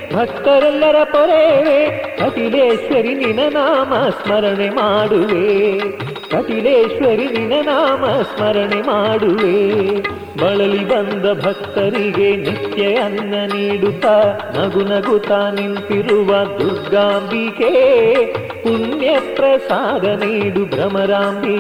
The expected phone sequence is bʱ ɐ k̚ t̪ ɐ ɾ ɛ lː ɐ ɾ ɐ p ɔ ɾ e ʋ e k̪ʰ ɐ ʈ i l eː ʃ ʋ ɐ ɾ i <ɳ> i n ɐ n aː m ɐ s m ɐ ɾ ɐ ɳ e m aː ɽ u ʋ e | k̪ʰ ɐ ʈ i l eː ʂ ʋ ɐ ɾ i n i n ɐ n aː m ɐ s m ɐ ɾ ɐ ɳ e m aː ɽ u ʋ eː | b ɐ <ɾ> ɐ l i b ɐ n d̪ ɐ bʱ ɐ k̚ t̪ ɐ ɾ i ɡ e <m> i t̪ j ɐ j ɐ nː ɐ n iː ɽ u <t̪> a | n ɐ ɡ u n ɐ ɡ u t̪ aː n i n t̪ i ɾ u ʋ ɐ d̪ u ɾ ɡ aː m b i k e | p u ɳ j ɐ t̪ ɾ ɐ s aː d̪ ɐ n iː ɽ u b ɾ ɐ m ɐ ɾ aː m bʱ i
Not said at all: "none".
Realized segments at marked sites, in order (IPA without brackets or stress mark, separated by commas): n, ɭ, n, t̪